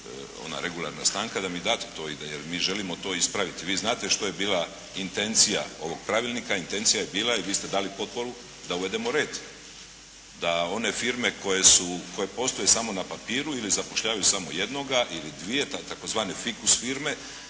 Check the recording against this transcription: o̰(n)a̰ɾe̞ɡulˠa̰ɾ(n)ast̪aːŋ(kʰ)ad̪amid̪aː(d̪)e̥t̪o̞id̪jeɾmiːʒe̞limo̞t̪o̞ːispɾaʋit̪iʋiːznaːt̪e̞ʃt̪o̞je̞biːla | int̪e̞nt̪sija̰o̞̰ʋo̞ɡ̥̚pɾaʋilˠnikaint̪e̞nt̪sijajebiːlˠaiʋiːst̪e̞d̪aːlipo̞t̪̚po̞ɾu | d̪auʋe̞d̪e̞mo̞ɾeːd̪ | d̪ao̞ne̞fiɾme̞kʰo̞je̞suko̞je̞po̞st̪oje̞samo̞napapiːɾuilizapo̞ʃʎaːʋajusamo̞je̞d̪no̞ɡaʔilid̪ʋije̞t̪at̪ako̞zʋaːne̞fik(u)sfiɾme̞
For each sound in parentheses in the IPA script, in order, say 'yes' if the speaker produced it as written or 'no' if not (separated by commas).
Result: yes, yes, no, no, yes